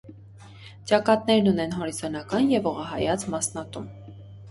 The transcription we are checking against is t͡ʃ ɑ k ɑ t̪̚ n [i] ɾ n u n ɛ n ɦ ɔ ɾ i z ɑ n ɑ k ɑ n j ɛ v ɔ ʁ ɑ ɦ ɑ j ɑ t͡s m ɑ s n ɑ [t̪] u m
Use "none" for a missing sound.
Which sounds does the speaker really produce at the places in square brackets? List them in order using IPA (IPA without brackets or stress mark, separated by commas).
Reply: ɛ, t̪